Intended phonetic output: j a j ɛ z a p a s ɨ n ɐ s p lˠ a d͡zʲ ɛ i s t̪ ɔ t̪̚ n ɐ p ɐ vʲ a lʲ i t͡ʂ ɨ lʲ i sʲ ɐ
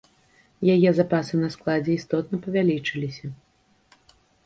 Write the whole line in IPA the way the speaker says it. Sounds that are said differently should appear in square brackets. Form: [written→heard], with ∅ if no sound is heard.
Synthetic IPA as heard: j a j ɛ z a p a s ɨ n ɐ s [p→k] lˠ a d͡zʲ ɛ i s t̪ ɔ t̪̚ n ɐ p ɐ vʲ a lʲ i t͡ʂ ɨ lʲ i sʲ ɐ

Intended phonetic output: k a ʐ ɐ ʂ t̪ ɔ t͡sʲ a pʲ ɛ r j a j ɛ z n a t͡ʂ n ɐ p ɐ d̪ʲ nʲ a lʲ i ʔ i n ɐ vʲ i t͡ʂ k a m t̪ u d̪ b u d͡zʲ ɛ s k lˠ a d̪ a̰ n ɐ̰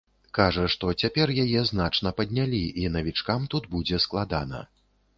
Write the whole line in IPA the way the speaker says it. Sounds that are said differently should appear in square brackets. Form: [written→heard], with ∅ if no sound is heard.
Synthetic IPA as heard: k a ʐ ɐ ʂ t̪ ɔ t͡sʲ a pʲ ɛ r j a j ɛ z n a t͡ʂ n ɐ p ɐ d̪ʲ nʲ a lʲ i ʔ i n ɐ vʲ i t͡ʂ k a m t̪ u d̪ b u d͡zʲ ɛ s k lˠ a d̪ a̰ n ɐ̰

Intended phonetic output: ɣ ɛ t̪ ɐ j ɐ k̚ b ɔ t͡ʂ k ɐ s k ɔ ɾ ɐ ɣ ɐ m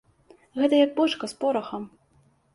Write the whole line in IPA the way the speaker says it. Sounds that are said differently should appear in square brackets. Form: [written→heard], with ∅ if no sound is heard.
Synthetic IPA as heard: ɣ ɛ t̪ ɐ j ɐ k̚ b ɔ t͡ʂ k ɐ s [k→p] ɔ ɾ ɐ [ɣ→x] ɐ m

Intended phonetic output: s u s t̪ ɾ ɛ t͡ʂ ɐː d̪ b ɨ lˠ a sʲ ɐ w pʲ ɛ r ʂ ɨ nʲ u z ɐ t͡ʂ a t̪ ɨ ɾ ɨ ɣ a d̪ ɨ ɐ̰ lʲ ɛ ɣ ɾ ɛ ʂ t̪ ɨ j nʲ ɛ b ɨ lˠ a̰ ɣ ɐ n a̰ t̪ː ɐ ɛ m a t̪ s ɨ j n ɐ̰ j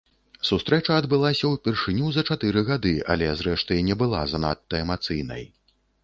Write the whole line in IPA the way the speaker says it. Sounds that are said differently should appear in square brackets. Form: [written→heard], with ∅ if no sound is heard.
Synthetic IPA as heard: s u s t̪ ɾ ɛ t͡ʂ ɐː d̪ b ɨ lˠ a sʲ ɐ w pʲ ɛ r ʂ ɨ nʲ u z ɐ t͡ʂ a t̪ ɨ ɾ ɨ ɣ a d̪ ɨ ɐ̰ lʲ ɛ [ɣ→z] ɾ ɛ ʂ t̪ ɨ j nʲ ɛ b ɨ lˠ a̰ [ɣ→z] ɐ n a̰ t̪ː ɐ ɛ m a t̪ s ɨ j n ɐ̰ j

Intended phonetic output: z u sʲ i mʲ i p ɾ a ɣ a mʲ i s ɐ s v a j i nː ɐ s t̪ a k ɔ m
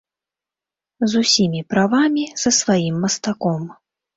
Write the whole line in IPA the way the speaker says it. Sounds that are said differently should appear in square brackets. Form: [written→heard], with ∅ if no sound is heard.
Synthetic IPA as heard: z u sʲ i mʲ i p ɾ a [ɣ→v] a mʲ i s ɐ s v a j i [nː→mː] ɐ s t̪ a k ɔ m

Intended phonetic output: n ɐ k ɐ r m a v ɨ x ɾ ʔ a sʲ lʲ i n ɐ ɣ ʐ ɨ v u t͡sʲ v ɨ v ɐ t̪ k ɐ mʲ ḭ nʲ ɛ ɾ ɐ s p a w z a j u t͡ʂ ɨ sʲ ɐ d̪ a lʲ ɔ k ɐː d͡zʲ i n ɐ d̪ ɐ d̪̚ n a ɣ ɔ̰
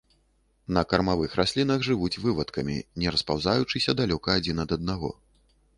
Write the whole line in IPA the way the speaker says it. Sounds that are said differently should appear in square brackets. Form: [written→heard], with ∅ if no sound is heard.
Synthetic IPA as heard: n ɐ k ɐ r m a v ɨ x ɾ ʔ a sʲ lʲ i n ɐ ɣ ʐ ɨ v u t͡sʲ v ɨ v ɐ t̪ k ɐ mʲ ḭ nʲ ɛ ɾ ɐ s p a w z a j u t͡ʂ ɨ sʲ ɐ d̪ a lʲ ɔ k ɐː d͡zʲ i n ɐ d̪ ɐ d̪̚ n a ɣ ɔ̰

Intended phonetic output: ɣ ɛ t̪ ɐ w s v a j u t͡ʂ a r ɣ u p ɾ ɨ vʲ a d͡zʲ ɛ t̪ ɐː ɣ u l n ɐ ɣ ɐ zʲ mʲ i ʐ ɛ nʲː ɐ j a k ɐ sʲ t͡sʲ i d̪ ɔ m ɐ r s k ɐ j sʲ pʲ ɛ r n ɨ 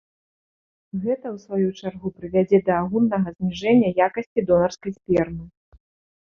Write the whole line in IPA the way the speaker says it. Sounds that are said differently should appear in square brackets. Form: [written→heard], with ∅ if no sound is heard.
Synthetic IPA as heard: ɣ ɛ t̪ ɐ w s v a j u t͡ʂ a r ɣ u p ɾ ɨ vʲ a d͡zʲ ɛ [t̪→d̪] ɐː ɣ u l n ɐ ɣ ɐ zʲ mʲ i ʐ ɛ nʲː ɐ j a k ɐ sʲ t͡sʲ i d̪ ɔ [m→n] ɐ r s k ɐ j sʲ pʲ ɛ r n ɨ

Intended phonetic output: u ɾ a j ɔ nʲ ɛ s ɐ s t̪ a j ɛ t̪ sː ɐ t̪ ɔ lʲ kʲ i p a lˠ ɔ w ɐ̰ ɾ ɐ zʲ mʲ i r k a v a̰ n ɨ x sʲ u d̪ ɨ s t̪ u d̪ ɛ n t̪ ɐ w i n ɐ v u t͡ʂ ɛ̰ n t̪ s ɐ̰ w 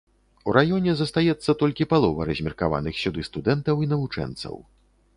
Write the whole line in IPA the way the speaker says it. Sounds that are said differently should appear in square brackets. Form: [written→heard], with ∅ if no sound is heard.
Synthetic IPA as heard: u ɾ a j ɔ nʲ ɛ [s→z] ɐ s t̪ a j ɛ t̪ sː ɐ t̪ ɔ lʲ kʲ i p a lˠ ɔ [w→v] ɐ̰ ɾ ɐ zʲ mʲ i r k a v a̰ n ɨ x sʲ u d̪ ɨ s t̪ u d̪ ɛ n t̪ ɐ w i n ɐ v u t͡ʂ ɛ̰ n t̪ s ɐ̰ w

